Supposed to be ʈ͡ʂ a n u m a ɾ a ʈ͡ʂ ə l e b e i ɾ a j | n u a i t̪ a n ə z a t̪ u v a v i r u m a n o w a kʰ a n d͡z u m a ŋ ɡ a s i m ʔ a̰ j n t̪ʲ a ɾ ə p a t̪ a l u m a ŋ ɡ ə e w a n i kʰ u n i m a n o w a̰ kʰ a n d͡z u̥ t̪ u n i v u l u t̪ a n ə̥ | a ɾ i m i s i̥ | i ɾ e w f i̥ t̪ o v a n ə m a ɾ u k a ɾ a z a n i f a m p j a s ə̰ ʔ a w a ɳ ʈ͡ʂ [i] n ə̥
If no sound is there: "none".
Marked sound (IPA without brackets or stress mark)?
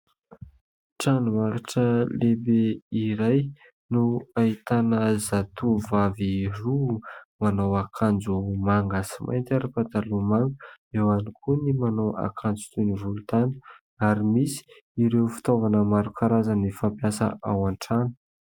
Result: a